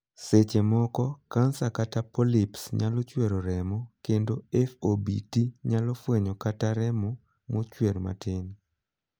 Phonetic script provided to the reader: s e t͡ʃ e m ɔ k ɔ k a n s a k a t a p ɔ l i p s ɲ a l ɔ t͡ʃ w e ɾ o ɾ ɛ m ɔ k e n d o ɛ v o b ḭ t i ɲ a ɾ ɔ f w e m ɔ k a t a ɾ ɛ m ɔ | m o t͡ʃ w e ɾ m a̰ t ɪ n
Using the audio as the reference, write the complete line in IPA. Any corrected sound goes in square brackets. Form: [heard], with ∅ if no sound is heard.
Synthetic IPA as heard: s e t͡ʃ e m ɔ k ɔ k a n s a k a t a p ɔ l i p s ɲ a l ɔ t͡ʃ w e ɾ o ɾ ɛ m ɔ k e n d o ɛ [f] o b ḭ t i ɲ a [l] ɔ f w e [ɲ] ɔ k a t a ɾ ɛ m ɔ | m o t͡ʃ w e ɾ m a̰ t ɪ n